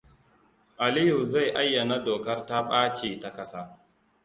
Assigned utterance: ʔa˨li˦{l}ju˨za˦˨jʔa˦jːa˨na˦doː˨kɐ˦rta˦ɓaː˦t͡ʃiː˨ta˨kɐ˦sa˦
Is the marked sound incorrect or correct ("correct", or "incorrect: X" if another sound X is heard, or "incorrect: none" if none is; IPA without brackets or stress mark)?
incorrect: none